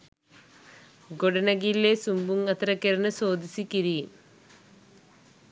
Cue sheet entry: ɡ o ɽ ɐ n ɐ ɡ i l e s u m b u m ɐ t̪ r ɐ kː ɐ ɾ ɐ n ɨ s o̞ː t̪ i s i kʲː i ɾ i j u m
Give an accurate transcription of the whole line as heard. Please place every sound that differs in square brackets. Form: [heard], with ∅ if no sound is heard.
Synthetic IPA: ɡ o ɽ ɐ n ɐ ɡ i l e s u m b u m ɐ t̪ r ɐ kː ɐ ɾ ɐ n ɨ s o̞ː [d̪] i s i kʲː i ɾ i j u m